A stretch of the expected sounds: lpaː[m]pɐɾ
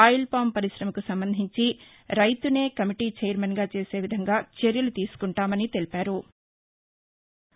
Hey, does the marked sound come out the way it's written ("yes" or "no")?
yes